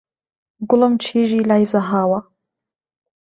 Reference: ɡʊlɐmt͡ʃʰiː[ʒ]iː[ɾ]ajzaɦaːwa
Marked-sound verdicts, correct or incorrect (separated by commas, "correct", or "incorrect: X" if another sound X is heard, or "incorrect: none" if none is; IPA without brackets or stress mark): correct, incorrect: l